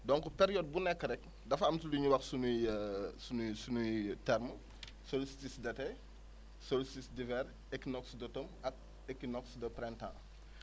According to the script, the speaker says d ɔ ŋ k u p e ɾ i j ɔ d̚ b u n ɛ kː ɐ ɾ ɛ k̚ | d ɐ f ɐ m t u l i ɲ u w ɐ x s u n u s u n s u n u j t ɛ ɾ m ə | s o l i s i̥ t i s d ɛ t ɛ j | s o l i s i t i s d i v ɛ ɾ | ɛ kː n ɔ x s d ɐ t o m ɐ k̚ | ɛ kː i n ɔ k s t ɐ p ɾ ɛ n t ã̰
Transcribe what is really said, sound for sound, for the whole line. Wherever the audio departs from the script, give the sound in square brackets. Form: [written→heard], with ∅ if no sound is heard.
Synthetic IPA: d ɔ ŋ k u p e ɾ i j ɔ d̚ b u n ɛ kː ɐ ɾ ɛ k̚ | d ɐ f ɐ m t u l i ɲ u w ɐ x s u n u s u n s u n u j t ɛ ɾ m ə | s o l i s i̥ t i s d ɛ t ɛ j | s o l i s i t i s d i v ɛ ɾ | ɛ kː n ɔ [x→k] s d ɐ t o m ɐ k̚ | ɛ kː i n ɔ k s [t→d] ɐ p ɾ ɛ n t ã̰